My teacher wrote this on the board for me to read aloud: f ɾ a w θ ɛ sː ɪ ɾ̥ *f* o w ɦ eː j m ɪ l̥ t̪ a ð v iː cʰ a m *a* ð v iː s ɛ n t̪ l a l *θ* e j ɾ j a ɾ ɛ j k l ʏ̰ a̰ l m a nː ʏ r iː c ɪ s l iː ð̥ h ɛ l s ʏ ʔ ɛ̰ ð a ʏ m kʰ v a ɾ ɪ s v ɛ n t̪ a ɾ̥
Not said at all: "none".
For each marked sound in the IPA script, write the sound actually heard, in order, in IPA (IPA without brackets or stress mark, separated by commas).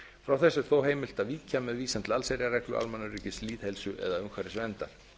θ, ɛ, s